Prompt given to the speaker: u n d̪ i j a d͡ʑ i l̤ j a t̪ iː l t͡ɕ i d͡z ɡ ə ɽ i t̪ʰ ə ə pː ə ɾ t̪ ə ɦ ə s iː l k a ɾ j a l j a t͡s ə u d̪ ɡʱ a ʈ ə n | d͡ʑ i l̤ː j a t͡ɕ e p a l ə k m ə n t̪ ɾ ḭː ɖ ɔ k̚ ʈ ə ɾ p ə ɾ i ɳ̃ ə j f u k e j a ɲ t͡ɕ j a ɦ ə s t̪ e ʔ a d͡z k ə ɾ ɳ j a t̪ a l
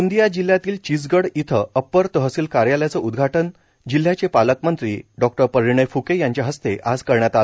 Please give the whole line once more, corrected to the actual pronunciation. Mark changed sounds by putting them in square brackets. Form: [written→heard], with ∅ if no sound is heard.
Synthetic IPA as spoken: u n d̪ i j a d͡ʑ i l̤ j a t̪ iː l t͡ɕ i d͡z ɡ ə ɽ i t̪ʰ ə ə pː ə ɾ t̪ ə ɦ ə s iː l k a ɾ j a l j a t͡s ə u d̪ ɡʱ a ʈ ə n | d͡ʑ i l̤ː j a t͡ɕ e p a l ə k m ə n t̪ ɾ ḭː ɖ ɔ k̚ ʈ ə ɾ p ə ɾ i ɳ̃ ə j f u k e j a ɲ t͡ɕ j a ɦ ə s t̪ e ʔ a d͡z k ə ɾ ɳ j a t̪ a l